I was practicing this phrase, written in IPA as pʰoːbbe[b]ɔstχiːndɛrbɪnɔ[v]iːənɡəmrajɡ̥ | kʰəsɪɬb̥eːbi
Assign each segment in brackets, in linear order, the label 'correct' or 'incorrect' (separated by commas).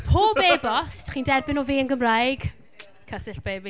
correct, correct